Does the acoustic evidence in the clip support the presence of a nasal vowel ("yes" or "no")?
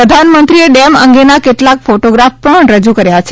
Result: no